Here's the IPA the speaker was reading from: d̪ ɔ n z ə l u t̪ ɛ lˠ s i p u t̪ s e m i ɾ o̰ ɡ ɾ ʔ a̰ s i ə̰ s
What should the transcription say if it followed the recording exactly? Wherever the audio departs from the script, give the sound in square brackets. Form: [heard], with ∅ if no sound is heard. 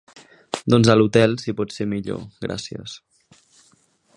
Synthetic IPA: d̪ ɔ n z ə l u t̪ ɛ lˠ s i p [ɔ] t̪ s e m i [ʎ] o̰ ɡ ɾ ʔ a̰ s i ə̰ s